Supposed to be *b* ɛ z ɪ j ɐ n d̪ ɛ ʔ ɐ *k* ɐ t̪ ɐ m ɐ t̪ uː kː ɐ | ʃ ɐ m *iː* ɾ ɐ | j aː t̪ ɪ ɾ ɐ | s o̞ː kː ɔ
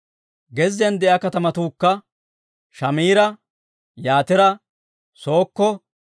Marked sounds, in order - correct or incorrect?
incorrect, correct, correct

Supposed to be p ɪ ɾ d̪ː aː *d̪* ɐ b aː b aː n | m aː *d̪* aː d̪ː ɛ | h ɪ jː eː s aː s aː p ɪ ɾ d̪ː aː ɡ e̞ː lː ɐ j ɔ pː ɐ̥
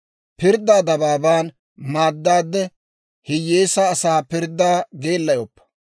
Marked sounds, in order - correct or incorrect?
correct, incorrect

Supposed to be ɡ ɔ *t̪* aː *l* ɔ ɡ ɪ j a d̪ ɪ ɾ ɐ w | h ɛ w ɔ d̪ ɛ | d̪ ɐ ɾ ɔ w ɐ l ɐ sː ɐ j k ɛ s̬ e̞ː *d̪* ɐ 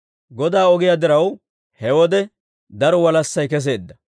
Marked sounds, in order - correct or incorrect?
incorrect, incorrect, incorrect

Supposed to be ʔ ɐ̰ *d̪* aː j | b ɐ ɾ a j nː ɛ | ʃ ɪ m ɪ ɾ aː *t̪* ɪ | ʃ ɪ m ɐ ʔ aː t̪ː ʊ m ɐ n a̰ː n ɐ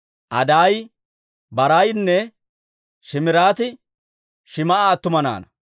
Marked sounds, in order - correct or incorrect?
correct, correct

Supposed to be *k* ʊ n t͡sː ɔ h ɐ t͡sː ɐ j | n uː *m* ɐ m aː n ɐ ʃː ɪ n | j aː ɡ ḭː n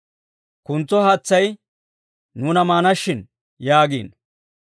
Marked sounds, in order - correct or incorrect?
correct, incorrect

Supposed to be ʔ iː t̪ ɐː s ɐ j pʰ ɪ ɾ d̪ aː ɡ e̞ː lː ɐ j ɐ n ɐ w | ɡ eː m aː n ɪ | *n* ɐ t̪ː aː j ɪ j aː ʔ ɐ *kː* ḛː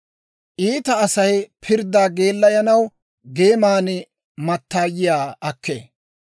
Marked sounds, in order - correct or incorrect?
incorrect, correct

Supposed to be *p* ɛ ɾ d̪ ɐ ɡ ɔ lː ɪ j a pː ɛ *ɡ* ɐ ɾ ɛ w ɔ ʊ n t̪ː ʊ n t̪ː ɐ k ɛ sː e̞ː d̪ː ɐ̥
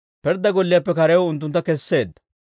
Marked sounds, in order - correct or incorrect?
correct, incorrect

